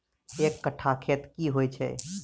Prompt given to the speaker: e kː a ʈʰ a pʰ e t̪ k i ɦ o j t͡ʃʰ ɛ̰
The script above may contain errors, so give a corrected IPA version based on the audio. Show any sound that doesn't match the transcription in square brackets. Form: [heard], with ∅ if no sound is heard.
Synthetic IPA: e kː [ə] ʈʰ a [kʰ] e t̪ k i ɦ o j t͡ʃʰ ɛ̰